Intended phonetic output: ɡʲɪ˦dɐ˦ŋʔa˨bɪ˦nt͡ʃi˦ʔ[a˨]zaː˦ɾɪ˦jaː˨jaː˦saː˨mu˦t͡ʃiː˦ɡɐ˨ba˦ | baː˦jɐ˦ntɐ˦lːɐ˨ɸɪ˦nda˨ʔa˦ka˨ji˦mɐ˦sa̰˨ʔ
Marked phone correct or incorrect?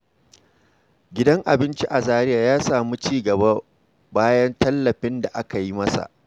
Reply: correct